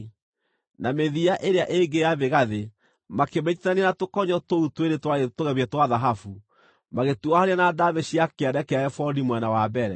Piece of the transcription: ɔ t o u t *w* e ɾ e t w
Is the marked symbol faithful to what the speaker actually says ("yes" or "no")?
yes